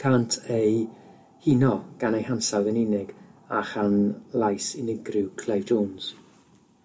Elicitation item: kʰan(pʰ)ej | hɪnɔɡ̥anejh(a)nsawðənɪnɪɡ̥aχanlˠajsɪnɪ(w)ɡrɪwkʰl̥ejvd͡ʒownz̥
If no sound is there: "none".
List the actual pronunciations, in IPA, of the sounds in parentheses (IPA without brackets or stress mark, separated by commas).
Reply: tʰ, a, none